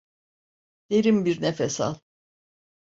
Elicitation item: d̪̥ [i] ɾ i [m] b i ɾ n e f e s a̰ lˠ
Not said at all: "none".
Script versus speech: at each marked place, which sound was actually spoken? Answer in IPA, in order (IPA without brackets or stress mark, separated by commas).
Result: e, m